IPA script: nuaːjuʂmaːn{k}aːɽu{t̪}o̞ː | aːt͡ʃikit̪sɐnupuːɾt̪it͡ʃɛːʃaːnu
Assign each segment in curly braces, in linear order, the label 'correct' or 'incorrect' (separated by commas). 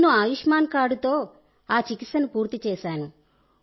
correct, correct